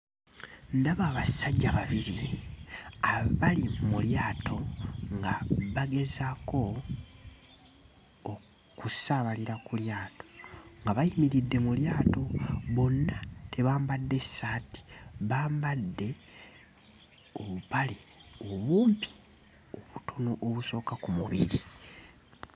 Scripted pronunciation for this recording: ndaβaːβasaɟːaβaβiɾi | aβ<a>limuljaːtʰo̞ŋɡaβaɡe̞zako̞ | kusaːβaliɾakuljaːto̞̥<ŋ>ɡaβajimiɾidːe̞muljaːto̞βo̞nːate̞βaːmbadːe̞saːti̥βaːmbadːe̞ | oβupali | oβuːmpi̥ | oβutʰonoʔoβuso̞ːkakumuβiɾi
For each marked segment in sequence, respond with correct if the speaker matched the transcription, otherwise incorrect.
correct, correct

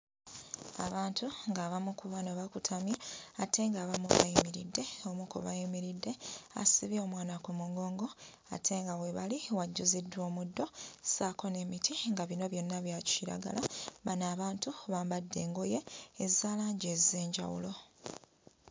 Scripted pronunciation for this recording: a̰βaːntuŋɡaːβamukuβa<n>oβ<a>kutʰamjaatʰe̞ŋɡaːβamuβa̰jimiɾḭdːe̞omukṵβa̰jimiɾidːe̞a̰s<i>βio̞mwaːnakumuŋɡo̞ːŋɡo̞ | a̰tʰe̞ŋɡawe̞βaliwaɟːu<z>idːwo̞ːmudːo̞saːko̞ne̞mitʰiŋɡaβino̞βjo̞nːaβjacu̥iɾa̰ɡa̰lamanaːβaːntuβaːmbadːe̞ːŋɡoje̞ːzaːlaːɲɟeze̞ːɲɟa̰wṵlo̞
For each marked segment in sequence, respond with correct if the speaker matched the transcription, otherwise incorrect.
correct, correct, correct, correct

